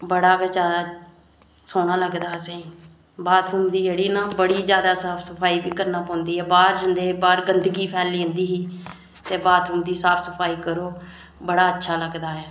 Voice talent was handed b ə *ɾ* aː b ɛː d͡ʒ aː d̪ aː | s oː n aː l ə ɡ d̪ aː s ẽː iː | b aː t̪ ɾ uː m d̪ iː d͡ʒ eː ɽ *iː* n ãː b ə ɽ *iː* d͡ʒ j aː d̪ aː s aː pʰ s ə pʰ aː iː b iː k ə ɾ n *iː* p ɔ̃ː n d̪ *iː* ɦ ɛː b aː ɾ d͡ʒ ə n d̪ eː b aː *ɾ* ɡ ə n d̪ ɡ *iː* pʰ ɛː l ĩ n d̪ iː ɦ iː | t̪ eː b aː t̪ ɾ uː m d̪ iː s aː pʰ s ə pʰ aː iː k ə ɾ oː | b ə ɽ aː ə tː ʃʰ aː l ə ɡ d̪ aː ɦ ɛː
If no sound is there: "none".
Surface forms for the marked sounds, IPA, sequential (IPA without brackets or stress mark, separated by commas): ɽ, iː, iː, aː, iː, ɾ, iː